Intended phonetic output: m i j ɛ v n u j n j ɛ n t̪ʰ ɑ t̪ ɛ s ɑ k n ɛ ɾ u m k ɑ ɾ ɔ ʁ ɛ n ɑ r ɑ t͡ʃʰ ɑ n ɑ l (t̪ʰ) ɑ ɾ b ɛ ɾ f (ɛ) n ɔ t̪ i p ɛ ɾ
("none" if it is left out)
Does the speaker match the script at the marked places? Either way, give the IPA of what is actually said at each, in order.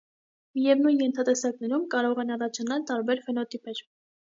t̪, ɛ

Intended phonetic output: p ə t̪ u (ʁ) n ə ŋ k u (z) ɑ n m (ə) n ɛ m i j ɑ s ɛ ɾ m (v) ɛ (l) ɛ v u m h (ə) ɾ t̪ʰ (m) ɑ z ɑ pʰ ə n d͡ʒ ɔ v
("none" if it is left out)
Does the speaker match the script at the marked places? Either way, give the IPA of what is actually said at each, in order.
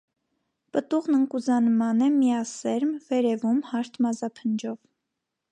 ʁ, z, ɑ, v, ɾ, ɑ, m

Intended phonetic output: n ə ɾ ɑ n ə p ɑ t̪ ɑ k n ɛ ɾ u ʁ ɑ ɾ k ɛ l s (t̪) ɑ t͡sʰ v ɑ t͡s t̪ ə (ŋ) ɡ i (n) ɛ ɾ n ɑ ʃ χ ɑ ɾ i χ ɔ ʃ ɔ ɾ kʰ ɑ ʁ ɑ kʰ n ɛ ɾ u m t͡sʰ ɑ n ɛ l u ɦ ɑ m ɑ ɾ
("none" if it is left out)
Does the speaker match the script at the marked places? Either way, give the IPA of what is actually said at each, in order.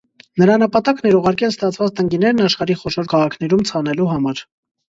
t̪, ŋ, n

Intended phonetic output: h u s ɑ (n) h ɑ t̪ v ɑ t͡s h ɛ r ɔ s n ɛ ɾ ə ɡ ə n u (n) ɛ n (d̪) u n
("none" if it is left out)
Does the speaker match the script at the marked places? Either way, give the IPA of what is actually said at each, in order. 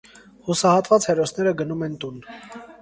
none, m, t̪

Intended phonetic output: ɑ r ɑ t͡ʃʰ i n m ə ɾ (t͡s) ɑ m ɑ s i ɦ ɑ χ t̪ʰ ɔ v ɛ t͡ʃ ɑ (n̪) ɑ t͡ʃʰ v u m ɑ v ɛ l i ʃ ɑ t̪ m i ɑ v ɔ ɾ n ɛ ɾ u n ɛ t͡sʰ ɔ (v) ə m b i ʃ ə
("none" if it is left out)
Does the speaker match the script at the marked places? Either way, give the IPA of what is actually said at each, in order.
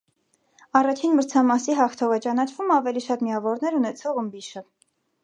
t͡sʰ, n̪, ʁ

